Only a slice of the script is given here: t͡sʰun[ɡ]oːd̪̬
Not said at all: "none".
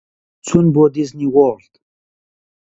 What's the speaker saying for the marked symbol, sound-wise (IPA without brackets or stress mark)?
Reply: b